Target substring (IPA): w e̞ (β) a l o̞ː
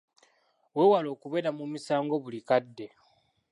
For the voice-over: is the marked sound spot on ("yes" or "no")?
no